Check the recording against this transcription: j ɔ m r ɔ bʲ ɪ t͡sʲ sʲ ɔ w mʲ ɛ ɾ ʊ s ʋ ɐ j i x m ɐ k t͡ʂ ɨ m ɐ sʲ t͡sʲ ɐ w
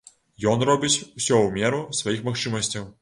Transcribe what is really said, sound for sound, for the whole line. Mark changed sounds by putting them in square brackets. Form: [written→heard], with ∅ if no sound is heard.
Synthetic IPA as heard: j ɔ [m→n] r ɔ bʲ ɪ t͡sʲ sʲ ɔ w mʲ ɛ ɾ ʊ s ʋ ɐ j i x m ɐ [k→x] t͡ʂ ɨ m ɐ sʲ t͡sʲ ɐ w